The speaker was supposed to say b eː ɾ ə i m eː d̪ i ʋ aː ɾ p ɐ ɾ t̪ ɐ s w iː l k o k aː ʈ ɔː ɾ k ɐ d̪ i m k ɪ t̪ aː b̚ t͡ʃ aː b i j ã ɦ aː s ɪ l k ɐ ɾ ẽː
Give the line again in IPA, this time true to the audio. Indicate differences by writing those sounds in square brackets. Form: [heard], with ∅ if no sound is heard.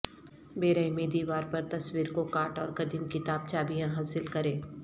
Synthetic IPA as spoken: b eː ɾ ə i m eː d̪ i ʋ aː ɾ p ɐ ɾ t̪ ɐ s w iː [ɾ] k o k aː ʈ ɔː ɾ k ɐ d̪ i m k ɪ t̪ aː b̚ t͡ʃ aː b i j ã ɦ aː s ɪ l k ɐ ɾ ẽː